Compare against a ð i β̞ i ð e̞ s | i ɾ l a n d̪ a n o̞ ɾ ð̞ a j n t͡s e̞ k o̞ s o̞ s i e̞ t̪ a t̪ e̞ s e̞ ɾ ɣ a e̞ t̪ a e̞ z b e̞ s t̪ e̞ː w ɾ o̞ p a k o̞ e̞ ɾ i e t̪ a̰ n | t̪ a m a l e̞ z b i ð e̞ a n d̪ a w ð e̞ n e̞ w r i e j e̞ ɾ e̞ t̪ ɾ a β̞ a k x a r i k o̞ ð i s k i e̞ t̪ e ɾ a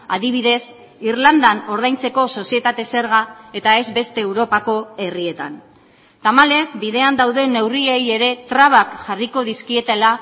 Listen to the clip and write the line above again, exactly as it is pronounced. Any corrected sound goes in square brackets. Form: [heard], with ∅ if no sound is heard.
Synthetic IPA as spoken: a ð i β̞ i ð e̞ s | i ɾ l a n d̪ a n o̞ ɾ ð̞ a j n t͡s e̞ k o̞ s o̞ s i e̞ t̪ a t̪ e̞ s e̞ ɾ ɣ a e̞ t̪ a e̞ z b e̞ s t̪ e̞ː w ɾ o̞ p a k o̞ e̞ [r] i e t̪ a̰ n | t̪ a m a l e̞ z b i ð e̞ a n d̪ a w ð e̞ n e̞ w r i e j e̞ ɾ e̞ t̪ ɾ a β̞ a k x a r i k o̞ ð i s k i e̞ t̪ e [l] a